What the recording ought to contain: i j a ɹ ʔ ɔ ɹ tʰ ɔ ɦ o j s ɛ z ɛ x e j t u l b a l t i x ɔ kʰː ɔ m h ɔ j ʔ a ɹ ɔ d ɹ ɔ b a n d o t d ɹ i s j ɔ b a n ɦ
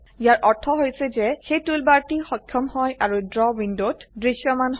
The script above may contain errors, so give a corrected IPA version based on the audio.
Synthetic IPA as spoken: i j a ɹ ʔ ɔ ɹ tʰ ɔ ɦ o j s ɛ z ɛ x e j t u l b a ɹ t i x ɔ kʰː ɔ m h ɔ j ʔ a ɹ u d ɹ ɔ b i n d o t d ɹ i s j ɔ m a n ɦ

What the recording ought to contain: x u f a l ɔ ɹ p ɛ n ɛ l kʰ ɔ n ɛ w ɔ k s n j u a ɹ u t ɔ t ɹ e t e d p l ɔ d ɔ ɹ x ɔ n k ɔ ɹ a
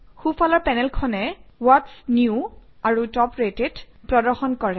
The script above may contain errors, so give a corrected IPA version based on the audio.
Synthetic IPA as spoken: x u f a l ɔ ɹ p ɛ n ɛ l kʰ ɔ n ɛ w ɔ t s n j u a ɹ u t ɔ p ɹ e t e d p ɹ ɔ d ɔ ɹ x ɔ n k ɔ ɹ ɛ

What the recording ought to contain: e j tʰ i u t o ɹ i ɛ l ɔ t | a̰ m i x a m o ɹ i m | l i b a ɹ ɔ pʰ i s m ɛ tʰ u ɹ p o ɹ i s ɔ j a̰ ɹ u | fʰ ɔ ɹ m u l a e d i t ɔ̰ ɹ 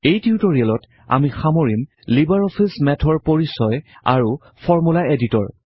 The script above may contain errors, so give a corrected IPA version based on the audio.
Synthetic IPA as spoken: e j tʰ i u t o ɹ i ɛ l ɔ t | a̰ m i x a m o ɹ i m | l i b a ɹ ɔ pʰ i s m ɛ tʰ ɔ ɹ p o ɹ i s ɔ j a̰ ɹ u | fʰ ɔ ɹ m u l a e d i t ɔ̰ ɹ

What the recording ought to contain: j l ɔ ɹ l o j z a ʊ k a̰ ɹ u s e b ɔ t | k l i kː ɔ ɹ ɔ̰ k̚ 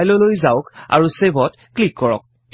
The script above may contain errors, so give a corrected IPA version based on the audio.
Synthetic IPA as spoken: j l ɔ l o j z a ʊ k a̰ ɹ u s e b ɔ t | k l i kː ɔ ɹ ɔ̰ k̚

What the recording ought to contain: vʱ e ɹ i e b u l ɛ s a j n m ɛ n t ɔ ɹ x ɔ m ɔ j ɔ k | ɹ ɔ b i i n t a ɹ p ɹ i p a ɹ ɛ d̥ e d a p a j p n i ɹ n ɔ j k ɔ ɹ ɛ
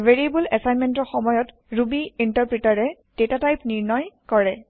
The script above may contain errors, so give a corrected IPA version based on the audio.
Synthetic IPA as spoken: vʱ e ɹ i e b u l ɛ s a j n m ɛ n t ɔ ɹ x ɔ m ɔ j ɔ t | ɹ u b i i n t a ɹ p ɹ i t a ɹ ɛ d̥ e t a t a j p n i ɹ n ɔ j k ɔ ɹ ɛ

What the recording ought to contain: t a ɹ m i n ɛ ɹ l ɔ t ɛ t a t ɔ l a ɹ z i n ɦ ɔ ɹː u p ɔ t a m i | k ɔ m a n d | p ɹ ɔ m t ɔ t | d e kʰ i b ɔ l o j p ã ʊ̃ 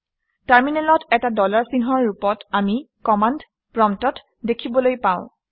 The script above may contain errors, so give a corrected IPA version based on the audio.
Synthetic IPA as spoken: t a ɹ m i n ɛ l ɔ t ɛ t a d ɔ l a ɹ s i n ɦ ɔ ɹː u p ɔ t a m i | k ɔ m a n d | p ɹ ɔ m t ɔ t | d e kʰ i b ɔ l o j p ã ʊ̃

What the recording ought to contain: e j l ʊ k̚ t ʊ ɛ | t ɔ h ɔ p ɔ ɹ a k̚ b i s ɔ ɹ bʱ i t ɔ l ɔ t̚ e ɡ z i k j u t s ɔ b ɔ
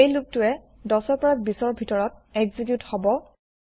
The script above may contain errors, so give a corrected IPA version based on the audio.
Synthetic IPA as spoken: e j l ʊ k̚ t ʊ ɛ | d ɔ s ɔ p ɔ ɹ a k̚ b i s ɔ ɹ bʱ i t ɔ ɹ ɔ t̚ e ɡ z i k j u t h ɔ b ɔ

